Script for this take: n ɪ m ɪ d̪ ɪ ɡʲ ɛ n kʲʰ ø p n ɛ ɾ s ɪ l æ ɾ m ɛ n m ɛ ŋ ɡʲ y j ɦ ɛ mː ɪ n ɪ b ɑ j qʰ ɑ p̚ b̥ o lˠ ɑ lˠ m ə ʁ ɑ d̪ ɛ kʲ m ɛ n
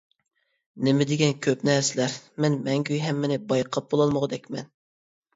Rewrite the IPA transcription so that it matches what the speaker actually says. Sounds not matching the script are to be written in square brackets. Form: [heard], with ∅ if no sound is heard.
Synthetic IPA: n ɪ m ɪ d̪ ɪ ɡʲ ɛ n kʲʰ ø p n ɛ ɾ s ɪ l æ ɾ m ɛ n m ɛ ŋ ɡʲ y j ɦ ɛ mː ɪ n ɪ b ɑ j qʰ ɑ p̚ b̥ o lˠ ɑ lˠ m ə ʁ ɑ d̪ ɛ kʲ m ɛ n